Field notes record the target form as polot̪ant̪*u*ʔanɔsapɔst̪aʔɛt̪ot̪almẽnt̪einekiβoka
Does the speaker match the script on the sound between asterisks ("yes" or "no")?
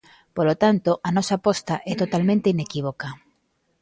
no